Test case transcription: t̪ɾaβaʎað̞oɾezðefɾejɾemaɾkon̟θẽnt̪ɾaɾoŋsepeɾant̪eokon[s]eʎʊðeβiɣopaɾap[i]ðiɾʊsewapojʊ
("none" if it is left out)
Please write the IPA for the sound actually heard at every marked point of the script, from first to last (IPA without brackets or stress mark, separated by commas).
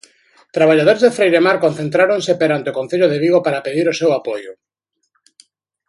θ, e